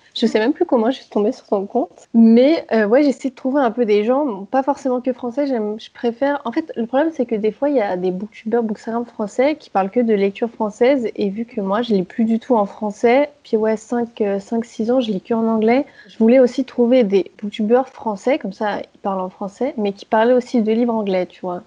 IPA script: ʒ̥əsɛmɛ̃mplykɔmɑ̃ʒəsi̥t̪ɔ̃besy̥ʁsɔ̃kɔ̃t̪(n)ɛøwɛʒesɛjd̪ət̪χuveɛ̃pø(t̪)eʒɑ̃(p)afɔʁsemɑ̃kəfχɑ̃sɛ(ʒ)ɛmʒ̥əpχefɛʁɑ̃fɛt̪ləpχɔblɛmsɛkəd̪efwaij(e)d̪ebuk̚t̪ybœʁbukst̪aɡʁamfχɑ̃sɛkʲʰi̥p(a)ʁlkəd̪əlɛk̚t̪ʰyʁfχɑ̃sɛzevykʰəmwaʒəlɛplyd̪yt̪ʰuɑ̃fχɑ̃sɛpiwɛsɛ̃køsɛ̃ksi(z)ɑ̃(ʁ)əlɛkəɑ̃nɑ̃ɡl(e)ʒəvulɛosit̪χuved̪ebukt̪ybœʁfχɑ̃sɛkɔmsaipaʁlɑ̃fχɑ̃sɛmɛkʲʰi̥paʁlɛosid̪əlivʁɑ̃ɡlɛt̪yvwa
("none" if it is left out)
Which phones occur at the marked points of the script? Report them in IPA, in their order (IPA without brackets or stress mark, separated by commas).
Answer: m, d̪, p, ʒ, a, a, z, ʒ, ɛ